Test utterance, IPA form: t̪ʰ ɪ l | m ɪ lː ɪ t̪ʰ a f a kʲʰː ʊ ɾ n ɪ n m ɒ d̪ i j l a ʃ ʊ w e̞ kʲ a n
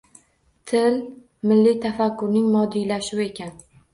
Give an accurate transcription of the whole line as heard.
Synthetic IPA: t̪ʰ ɪ l | m ɪ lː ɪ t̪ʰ a f a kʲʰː ʊ ɾ n ɪ ŋ m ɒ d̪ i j l a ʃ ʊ w e̞ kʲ a n